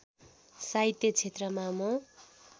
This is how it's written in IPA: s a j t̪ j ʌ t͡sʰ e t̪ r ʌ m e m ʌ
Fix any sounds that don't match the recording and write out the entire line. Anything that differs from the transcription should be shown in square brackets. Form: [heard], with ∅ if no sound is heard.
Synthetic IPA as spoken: s a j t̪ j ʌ t͡sʰ e t̪ r ʌ m [a] m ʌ